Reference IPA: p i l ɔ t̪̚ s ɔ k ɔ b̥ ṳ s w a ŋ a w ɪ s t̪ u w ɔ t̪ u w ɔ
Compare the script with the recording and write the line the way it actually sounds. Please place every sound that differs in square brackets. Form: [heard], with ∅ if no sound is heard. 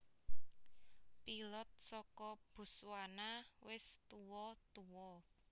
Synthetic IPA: p i l ɔ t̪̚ s ɔ k ɔ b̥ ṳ s w a [n] a w ɪ s t̪ u w ɔ t̪ u w ɔ